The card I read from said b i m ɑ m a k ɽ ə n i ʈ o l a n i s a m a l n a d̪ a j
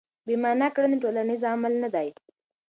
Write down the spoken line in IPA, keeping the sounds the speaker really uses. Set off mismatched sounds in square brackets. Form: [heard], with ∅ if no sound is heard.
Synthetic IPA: b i m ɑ [n] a k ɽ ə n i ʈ o l a n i [z] a m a l n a d̪ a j